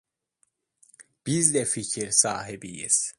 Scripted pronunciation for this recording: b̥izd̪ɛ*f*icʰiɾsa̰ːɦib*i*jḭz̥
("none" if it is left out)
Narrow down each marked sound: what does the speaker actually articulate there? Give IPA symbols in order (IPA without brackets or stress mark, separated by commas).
f, i